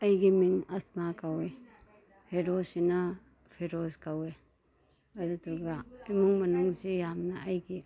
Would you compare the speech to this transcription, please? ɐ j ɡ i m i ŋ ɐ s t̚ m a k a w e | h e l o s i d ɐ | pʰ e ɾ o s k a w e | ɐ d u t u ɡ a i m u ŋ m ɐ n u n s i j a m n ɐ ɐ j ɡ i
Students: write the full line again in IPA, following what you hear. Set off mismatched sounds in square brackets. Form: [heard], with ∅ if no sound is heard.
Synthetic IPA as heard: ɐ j ɡ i m i ŋ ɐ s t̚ m a k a w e | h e [ɾ] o s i [n] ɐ | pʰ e ɾ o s k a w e | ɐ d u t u ɡ a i m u ŋ m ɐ n u [ŋ] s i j a m n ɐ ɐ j ɡ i